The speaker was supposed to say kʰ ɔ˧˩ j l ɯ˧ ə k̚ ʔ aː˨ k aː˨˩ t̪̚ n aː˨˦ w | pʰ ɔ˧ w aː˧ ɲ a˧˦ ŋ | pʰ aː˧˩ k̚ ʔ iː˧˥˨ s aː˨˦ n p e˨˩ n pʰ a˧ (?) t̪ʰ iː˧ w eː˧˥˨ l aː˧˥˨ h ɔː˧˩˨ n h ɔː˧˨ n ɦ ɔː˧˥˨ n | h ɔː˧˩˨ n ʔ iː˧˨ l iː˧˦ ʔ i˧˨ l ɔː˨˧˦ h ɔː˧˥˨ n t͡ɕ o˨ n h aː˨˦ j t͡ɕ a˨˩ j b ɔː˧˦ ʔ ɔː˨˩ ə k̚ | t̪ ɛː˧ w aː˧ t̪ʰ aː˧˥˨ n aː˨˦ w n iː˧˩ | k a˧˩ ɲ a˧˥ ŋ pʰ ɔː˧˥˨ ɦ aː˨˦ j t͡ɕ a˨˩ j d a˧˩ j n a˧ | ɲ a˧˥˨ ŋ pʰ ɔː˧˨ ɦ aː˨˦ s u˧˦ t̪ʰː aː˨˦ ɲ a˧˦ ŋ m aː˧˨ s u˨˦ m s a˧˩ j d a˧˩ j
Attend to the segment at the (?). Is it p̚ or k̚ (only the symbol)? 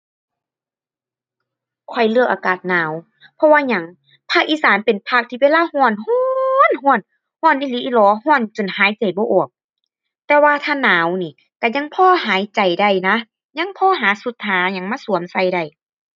k̚